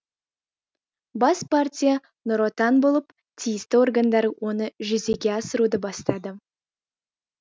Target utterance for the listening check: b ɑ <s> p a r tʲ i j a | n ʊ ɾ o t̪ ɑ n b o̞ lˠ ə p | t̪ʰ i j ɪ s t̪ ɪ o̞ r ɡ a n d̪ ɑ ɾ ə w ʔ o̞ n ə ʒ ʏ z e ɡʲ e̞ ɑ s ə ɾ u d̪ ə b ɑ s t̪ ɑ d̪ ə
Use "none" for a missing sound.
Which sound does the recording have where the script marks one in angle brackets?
s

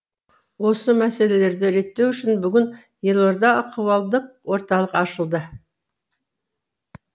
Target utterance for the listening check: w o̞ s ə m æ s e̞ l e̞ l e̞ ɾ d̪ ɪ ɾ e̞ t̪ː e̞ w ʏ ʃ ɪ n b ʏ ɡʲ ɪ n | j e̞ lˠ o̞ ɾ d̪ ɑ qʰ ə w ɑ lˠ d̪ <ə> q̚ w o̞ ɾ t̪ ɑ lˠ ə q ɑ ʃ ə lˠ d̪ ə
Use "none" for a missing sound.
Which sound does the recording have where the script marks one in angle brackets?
ə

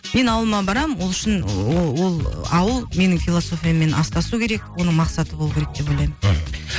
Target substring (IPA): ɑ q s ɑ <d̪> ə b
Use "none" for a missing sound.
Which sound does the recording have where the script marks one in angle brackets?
t̪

